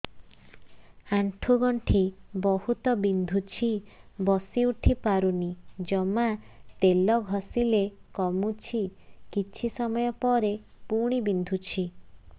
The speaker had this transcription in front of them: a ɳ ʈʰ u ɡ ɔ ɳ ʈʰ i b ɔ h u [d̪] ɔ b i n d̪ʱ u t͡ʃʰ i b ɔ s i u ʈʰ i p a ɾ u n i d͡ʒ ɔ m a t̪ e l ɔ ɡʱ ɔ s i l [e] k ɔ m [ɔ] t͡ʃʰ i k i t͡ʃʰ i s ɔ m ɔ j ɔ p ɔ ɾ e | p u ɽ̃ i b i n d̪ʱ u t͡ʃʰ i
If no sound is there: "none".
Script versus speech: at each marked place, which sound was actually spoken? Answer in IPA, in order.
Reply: t̪, e, u

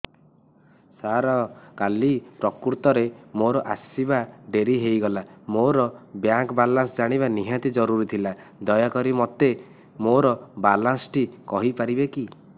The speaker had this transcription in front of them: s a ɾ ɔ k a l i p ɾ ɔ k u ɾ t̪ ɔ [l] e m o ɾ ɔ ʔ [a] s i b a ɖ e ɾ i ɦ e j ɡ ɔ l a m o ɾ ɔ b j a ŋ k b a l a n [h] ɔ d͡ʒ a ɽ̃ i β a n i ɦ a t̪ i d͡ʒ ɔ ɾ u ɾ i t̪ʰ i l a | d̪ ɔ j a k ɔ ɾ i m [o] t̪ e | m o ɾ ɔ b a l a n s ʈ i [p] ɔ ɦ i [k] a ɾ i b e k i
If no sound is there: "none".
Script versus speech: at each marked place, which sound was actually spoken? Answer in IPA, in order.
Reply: ɾ, a, s, ɔ, k, p

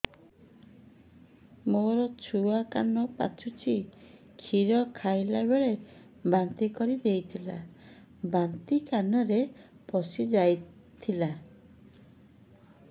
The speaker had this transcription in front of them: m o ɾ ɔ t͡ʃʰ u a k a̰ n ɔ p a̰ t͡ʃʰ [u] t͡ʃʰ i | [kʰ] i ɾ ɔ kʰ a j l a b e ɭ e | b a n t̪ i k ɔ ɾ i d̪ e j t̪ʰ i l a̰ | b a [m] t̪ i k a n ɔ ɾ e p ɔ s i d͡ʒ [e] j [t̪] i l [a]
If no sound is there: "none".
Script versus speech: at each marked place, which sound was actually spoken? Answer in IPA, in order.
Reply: u, kʰ, n, a, t̪ʰ, a

